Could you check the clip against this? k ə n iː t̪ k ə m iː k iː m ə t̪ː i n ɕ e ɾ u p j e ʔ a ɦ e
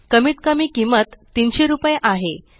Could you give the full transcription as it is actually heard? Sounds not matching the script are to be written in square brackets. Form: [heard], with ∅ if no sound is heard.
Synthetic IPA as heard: k ə [m] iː t̪ k ə m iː k [i] m ə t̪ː i n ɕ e ɾ u p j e ʔ a ɦ e